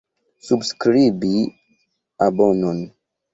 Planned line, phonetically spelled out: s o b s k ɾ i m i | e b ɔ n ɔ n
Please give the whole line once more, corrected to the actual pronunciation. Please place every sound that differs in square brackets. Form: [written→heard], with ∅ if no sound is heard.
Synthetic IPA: s [o→u] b s k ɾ i [m→b] i | [e→a] b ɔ n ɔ n